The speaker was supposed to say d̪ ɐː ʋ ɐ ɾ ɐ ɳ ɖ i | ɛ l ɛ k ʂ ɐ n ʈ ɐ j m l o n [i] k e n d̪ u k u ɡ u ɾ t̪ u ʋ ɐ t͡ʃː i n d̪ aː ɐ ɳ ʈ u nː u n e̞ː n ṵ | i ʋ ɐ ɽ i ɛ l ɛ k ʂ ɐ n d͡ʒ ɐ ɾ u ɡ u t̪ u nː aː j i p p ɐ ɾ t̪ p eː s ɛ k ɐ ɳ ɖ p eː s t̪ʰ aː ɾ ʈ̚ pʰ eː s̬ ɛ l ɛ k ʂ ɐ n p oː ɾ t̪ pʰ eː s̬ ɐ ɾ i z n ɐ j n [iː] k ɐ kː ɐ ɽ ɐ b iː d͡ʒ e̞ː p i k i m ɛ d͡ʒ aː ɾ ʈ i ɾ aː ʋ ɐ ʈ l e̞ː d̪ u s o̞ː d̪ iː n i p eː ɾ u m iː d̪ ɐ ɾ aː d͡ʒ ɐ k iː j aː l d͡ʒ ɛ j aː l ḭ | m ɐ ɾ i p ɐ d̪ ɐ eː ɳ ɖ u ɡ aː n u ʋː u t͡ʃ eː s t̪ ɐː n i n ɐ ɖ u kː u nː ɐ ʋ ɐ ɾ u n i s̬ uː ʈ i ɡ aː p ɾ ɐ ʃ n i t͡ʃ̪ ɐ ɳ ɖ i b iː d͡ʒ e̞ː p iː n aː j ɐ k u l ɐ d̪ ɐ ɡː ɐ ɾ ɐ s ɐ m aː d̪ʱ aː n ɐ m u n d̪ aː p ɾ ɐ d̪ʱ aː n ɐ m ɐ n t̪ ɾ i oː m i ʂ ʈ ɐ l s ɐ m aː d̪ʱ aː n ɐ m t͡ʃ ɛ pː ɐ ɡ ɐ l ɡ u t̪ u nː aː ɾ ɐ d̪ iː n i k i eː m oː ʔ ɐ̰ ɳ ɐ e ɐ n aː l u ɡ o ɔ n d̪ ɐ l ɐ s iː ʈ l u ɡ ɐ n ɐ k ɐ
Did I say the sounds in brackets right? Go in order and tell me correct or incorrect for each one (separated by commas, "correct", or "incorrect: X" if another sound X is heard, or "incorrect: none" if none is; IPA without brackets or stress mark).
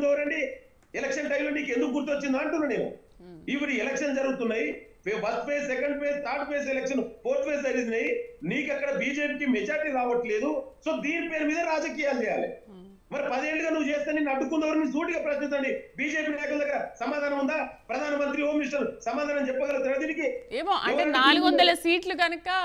incorrect: iː, correct